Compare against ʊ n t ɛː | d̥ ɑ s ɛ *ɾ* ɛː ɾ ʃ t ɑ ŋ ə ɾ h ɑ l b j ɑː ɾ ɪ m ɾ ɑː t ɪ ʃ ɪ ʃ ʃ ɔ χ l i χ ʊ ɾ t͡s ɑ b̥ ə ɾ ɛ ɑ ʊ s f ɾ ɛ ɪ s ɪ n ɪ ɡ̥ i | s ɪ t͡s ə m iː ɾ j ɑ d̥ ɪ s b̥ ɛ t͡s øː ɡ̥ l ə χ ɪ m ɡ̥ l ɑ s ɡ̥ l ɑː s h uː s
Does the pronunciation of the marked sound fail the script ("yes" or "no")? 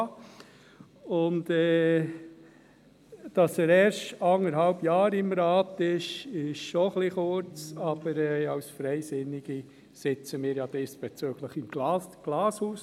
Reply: no